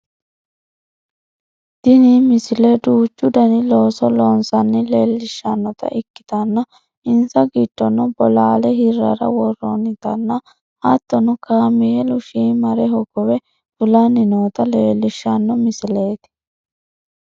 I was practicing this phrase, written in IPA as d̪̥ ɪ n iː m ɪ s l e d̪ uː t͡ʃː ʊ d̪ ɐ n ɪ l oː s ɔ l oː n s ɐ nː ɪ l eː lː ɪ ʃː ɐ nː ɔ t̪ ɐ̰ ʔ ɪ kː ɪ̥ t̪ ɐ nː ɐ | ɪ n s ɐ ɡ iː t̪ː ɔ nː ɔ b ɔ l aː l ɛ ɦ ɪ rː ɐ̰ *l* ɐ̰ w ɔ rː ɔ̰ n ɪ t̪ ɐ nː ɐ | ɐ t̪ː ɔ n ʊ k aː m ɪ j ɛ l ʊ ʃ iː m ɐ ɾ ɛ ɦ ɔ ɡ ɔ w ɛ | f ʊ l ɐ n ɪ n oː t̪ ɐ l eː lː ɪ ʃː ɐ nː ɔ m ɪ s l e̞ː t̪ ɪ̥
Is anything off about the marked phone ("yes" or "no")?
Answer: yes